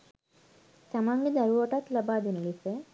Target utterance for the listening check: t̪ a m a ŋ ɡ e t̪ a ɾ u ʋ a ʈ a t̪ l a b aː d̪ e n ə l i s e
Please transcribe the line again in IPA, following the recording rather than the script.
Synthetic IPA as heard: t̪ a m a ŋ ɡ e d̪ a ɾ u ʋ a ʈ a t̪ l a b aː d̪ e n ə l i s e